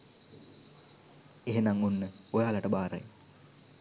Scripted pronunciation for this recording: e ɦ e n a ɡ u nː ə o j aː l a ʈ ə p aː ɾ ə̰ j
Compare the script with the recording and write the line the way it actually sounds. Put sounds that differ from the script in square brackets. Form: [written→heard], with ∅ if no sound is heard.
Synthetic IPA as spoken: e ɦ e n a [ɡ→ŋ] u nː ə o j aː l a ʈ ə [p→b] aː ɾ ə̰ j